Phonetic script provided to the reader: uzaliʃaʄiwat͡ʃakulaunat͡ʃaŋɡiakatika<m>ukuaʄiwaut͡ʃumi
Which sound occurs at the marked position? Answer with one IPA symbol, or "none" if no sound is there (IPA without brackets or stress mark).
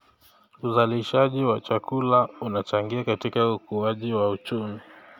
none